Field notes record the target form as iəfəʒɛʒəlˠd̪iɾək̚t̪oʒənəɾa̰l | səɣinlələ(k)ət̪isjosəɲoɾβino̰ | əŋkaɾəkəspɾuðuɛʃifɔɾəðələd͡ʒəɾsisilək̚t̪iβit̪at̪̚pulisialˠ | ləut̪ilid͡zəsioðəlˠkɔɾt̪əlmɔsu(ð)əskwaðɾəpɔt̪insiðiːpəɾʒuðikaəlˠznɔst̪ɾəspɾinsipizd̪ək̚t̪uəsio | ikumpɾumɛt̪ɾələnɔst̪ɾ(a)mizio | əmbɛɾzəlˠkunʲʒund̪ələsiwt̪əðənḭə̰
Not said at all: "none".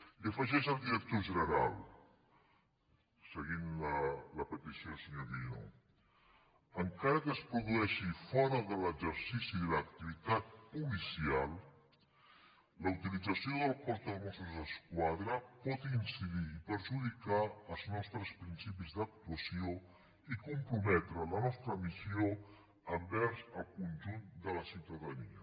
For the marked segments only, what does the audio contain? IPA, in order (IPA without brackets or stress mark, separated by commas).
p, z, ə